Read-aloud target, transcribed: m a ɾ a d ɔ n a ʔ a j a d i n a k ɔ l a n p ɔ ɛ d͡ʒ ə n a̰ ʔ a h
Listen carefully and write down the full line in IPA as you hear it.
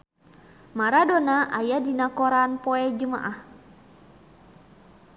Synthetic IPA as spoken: m a ɾ a d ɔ n a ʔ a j a d i n a k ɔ ɾ a n p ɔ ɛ d͡ʒ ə m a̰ ʔ a h